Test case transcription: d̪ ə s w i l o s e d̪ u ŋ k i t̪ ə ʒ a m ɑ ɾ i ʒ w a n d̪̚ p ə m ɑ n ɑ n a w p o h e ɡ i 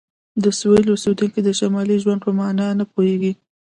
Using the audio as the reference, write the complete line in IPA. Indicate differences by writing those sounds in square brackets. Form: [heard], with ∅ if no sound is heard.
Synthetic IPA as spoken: d̪ ə s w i l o s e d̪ u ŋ k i [d̪] ə [ʃ] a m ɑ [l] i ʒ w a n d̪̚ p ə m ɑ n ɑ n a [∅] p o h e ɡ i